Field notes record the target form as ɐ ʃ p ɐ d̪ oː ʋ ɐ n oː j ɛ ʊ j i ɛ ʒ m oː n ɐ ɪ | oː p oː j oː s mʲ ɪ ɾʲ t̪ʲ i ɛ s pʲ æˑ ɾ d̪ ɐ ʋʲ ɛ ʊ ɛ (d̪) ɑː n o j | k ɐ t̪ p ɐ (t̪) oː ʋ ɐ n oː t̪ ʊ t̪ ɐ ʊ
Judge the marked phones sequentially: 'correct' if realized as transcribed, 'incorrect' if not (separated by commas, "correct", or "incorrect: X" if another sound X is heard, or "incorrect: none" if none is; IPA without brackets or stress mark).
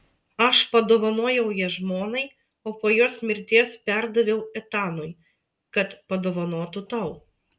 incorrect: t̪, incorrect: d̪